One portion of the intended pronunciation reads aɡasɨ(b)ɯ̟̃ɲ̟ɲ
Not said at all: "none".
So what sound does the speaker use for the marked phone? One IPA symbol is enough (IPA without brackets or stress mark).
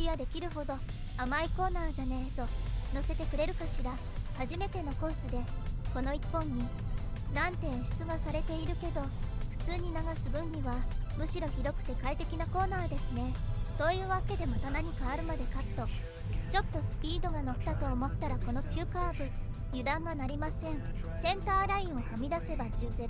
b